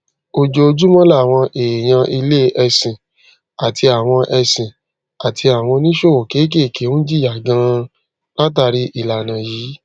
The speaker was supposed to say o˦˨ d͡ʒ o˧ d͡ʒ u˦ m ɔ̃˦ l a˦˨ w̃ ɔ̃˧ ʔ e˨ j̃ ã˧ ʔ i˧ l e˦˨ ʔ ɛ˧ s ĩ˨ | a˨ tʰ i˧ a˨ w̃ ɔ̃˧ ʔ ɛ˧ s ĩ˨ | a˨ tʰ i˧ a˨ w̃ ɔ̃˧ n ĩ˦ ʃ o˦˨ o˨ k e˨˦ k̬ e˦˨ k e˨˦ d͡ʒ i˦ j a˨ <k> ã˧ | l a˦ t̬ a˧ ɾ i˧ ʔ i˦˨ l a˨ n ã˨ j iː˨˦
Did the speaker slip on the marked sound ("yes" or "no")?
yes